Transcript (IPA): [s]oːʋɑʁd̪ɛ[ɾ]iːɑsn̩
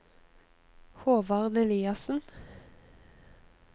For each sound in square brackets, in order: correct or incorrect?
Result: incorrect: h, incorrect: l

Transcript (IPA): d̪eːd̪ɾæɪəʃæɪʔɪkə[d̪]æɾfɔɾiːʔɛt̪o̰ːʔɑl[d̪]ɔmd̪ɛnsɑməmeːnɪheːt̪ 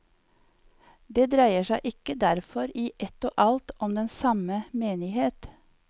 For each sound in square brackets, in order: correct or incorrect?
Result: correct, incorrect: t̪

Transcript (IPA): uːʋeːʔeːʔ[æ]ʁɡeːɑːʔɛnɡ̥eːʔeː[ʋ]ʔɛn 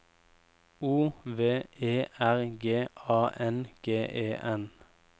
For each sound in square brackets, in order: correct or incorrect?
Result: correct, incorrect: none

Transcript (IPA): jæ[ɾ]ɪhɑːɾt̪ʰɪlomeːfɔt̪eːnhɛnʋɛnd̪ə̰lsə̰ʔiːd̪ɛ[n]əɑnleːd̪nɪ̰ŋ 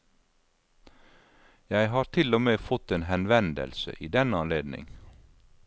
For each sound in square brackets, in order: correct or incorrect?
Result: incorrect: none, correct

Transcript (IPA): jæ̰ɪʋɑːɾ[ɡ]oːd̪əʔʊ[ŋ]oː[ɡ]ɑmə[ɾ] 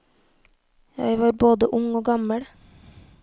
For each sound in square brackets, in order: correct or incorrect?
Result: incorrect: b, correct, correct, incorrect: ɽ

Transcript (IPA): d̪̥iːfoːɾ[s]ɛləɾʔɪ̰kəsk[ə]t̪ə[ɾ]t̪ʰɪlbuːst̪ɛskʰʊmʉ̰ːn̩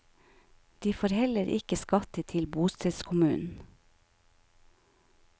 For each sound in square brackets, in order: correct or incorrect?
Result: incorrect: h, incorrect: ɑ, incorrect: none

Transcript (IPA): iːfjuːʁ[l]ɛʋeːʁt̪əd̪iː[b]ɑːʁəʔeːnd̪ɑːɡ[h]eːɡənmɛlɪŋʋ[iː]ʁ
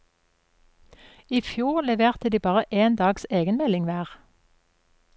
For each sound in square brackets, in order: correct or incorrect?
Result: correct, correct, incorrect: s, incorrect: æː

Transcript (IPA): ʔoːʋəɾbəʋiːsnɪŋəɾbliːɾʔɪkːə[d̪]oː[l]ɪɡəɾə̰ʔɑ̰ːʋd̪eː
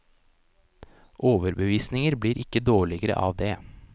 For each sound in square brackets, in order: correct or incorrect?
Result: correct, incorrect: ɭ

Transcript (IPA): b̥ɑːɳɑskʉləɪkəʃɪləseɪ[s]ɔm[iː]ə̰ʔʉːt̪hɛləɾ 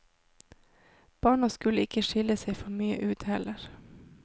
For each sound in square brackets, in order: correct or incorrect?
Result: incorrect: f, incorrect: yː

